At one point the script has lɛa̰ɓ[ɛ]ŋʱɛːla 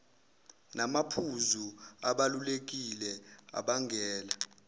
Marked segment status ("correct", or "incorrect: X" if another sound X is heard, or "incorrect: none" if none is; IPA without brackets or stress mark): incorrect: a